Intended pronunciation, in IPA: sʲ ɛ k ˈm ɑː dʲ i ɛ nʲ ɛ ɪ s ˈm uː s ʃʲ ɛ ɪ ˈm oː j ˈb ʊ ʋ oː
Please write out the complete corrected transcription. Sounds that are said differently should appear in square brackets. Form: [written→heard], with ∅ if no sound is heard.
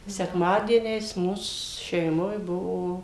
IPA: sʲ ɛ k ˈm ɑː dʲ i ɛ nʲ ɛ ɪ s ˈm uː s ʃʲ ɛ ɪ ˈm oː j ˈb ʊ ʋ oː